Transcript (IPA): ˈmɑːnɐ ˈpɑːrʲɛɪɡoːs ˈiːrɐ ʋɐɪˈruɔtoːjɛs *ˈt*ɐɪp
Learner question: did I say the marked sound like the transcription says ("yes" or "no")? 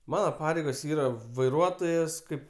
no